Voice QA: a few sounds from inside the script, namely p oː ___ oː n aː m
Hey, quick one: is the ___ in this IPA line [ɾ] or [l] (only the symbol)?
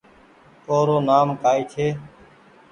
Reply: ɾ